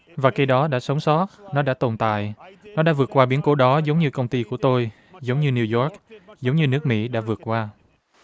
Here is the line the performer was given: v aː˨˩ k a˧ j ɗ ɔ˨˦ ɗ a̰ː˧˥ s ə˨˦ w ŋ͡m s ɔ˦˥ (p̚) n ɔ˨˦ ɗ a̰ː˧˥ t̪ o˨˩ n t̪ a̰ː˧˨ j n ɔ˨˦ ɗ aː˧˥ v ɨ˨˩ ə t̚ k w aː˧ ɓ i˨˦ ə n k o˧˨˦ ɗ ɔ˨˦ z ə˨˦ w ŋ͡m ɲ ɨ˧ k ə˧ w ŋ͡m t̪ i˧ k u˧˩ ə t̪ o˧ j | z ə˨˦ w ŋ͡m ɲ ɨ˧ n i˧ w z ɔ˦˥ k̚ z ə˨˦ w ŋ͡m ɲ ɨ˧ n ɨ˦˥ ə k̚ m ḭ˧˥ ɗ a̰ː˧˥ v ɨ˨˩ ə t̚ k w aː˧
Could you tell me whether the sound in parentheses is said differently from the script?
yes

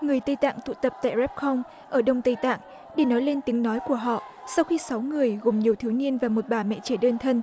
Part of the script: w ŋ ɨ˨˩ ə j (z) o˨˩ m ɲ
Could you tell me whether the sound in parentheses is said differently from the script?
yes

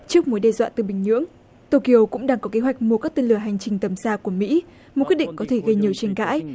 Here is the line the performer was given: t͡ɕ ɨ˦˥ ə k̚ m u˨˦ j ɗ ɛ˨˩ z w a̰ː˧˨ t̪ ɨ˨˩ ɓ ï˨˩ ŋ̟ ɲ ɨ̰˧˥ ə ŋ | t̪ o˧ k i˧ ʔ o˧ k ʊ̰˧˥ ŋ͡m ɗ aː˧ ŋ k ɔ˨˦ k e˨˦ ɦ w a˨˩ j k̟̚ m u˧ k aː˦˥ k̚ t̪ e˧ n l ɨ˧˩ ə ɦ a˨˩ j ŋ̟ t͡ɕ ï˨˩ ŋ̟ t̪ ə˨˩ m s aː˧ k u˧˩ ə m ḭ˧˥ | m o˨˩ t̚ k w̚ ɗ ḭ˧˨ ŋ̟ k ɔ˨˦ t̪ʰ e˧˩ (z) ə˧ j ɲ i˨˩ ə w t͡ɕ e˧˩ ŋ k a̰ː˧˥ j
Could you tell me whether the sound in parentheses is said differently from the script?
yes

